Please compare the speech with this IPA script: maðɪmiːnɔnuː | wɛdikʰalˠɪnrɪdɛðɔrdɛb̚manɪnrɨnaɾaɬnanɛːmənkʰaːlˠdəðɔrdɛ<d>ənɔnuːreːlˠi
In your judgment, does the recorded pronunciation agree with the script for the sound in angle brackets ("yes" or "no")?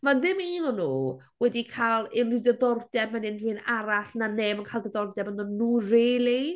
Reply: no